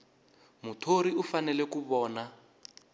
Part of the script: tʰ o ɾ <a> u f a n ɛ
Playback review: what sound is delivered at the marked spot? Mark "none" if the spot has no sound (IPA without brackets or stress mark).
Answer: i